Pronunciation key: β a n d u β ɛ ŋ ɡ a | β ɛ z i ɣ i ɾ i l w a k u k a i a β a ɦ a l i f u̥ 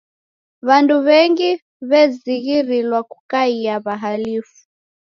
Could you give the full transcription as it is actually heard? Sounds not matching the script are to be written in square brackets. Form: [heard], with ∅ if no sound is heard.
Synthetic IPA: β a n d u β ɛ ŋ ɡ [i] | β ɛ z i ɣ i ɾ i l w a k u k a i a β a ɦ a l i f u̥